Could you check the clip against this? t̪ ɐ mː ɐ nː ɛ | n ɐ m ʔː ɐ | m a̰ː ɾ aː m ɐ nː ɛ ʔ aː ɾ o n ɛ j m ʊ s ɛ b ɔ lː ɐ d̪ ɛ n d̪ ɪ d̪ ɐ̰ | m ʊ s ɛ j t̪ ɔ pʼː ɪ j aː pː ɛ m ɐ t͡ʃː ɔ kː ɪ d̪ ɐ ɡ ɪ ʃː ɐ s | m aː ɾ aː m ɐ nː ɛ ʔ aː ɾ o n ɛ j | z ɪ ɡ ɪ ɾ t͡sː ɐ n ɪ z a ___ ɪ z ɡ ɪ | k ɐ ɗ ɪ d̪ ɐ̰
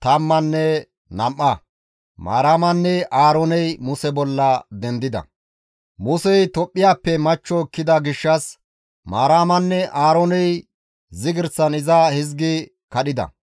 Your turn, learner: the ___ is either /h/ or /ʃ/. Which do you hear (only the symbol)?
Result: h